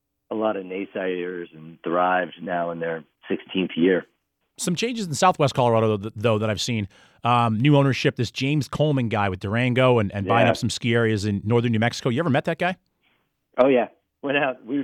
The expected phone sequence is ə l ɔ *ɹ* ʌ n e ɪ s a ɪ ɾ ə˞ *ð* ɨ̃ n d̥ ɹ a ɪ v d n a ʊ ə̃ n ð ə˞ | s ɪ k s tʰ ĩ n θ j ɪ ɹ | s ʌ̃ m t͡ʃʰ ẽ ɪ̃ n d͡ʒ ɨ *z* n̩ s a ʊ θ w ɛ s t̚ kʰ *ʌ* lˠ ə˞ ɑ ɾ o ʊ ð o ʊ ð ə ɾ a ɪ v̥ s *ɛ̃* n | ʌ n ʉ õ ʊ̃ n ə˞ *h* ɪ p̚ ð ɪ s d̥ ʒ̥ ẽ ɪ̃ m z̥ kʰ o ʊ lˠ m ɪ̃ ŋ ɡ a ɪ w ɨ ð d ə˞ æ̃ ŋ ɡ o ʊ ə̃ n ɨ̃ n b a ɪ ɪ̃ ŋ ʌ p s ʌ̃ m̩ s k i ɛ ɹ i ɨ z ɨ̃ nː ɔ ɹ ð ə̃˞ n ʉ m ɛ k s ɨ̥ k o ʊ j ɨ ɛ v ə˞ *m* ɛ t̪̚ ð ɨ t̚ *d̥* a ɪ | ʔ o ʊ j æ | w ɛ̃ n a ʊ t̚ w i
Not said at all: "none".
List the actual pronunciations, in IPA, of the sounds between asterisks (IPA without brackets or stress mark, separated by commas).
ɾ, z, z, ɑ, ĩ, ʃ, m, ɡ̥